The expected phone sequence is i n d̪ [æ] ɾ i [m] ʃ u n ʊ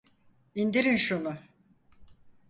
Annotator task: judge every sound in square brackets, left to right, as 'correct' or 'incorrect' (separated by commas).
incorrect, incorrect